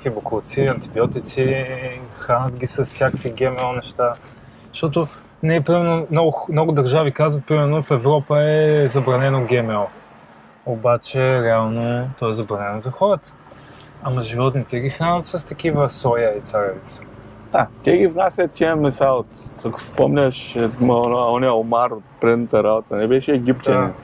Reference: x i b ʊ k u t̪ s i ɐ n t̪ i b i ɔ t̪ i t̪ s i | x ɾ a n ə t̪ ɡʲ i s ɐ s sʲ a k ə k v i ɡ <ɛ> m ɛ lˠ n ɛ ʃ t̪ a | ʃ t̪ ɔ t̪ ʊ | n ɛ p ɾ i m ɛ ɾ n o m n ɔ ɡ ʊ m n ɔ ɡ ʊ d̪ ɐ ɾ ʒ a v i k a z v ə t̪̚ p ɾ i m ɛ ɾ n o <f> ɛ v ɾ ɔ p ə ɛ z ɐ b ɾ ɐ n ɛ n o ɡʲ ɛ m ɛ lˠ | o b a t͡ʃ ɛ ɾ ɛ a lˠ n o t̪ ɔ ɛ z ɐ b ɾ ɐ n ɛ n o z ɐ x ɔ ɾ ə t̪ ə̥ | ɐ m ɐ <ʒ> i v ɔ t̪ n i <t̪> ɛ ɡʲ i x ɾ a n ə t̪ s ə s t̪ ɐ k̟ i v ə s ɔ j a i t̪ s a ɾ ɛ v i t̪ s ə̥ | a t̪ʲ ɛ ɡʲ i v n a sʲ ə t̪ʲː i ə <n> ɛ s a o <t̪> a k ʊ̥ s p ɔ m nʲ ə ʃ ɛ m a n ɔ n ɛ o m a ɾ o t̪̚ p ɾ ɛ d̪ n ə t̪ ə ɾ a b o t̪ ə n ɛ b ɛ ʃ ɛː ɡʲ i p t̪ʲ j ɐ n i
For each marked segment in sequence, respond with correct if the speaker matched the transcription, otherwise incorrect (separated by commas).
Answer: correct, correct, correct, correct, incorrect, correct